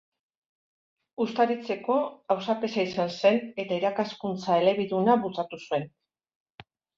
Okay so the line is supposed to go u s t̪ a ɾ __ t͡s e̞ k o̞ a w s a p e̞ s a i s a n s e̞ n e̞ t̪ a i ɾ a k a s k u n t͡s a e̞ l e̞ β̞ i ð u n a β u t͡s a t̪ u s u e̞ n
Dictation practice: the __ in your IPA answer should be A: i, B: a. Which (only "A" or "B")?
A